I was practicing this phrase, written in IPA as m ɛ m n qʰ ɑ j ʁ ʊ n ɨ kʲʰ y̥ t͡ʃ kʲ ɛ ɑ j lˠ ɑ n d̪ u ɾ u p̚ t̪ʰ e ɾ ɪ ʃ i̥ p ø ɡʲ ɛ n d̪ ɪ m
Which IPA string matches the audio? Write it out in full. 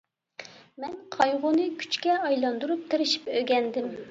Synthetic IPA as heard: m ɛ n qʰ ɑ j ʁ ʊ n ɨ kʲʰ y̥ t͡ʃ kʲ ɛ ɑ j lˠ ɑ n d̪ u ɾ u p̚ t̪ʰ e ɾ ɪ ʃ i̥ p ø ɡʲ ɛ n d̪ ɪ m